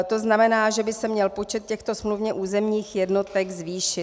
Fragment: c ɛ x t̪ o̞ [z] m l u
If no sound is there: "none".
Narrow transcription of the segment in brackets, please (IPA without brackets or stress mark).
s